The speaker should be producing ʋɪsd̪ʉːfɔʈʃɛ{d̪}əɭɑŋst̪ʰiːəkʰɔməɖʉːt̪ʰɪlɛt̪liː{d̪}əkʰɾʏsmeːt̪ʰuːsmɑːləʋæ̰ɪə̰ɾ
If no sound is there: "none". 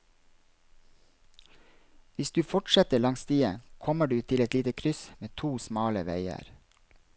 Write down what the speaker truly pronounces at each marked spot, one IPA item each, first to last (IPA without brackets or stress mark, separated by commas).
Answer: t̪, t̪